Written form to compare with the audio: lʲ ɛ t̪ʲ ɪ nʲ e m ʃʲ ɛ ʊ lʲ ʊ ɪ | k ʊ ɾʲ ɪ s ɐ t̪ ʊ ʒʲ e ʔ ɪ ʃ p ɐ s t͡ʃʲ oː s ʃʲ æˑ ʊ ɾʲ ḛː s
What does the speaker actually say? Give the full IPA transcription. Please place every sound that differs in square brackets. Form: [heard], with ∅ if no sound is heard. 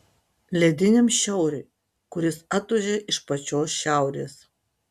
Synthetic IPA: lʲ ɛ [d̪ʲ] ɪ nʲ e m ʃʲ ɛ ʊ [ɾʲ] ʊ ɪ | k ʊ ɾʲ ɪ s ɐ t̪ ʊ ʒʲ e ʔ ɪ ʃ p ɐ [∅] t͡ʃʲ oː s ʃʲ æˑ ʊ ɾʲ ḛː s